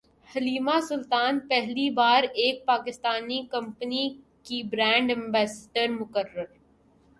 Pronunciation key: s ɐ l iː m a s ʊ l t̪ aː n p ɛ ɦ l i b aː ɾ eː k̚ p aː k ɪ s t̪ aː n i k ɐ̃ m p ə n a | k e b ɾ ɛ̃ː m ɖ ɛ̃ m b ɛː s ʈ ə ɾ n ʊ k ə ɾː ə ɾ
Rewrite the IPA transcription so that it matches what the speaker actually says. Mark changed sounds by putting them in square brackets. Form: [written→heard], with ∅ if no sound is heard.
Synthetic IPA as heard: [s→h] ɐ l iː m a s ʊ l t̪ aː n p ɛ ɦ l i b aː ɾ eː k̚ p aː k ɪ s t̪ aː n i k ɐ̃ m p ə n [a→i] | k [e→i] b ɾ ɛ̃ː [m→ɳ] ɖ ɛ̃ m b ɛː s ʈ ə ɾ [n→m] ʊ k ə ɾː ə ɾ